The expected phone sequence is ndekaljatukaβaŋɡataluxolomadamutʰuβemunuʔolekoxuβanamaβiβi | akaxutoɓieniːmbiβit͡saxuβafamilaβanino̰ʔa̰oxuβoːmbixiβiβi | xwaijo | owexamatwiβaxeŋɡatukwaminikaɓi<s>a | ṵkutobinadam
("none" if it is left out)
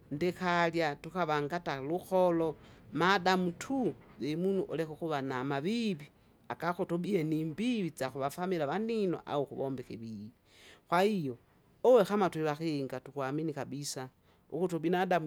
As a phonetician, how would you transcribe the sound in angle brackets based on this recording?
s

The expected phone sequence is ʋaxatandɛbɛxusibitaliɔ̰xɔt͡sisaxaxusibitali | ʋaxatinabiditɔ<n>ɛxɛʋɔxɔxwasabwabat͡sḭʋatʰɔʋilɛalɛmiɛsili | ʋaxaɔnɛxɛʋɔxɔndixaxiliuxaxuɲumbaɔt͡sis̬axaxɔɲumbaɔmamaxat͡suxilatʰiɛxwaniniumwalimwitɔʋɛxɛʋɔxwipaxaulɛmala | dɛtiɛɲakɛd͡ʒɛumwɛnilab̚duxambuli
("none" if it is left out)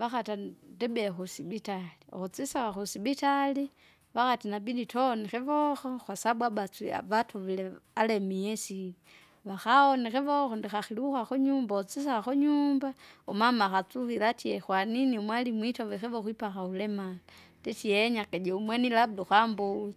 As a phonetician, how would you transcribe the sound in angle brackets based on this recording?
n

